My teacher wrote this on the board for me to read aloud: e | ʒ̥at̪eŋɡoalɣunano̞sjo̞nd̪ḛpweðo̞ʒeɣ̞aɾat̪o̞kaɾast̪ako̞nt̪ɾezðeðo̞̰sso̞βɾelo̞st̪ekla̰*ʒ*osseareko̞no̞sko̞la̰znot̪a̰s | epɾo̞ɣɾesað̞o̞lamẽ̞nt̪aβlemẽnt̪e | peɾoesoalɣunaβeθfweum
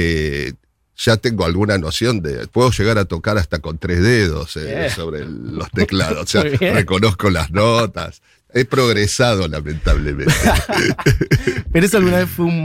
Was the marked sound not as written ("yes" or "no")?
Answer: yes